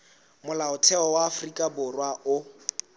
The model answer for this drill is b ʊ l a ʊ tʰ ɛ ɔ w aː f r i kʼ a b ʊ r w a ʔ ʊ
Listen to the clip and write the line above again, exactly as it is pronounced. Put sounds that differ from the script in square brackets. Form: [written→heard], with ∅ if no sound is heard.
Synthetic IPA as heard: [b→m] ʊ l a ʊ tʰ ɛ ɔ w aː f r i kʼ a b ʊ r w a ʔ ʊ